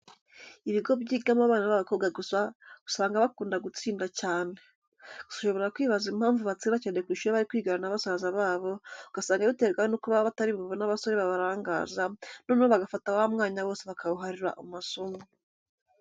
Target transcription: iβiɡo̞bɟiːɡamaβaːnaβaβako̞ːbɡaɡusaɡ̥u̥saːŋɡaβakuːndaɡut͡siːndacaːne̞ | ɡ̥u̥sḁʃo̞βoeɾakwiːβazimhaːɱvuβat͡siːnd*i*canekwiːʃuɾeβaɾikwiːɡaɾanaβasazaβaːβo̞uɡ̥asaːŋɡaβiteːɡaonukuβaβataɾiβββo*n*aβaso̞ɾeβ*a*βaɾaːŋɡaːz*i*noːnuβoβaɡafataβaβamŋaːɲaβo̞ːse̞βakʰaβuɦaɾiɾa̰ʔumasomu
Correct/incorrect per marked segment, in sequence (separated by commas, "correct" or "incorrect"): incorrect, correct, correct, incorrect